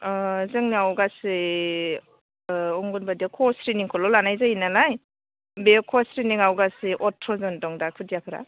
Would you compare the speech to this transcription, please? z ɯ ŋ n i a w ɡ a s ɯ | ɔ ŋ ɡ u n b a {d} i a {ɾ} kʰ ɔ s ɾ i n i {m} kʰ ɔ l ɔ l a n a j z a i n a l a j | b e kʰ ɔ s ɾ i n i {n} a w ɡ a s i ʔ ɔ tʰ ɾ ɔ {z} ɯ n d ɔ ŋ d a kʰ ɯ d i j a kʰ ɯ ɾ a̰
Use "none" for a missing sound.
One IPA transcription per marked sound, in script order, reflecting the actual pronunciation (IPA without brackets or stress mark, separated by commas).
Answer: d, none, ŋ, ŋ, z